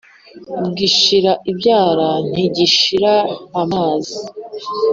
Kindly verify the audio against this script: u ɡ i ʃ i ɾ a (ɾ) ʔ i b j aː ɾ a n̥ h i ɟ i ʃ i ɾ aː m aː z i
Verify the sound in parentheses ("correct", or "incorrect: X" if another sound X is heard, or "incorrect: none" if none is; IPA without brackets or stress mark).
incorrect: none